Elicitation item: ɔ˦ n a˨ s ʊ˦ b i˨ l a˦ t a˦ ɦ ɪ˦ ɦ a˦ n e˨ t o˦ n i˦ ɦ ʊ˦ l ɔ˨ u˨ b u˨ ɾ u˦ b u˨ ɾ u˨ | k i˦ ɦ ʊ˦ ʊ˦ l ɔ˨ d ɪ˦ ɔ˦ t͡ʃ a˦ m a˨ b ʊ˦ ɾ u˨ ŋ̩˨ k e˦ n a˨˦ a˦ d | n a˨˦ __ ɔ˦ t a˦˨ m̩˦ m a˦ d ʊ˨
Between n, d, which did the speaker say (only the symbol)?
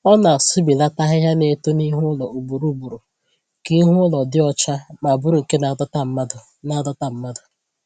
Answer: d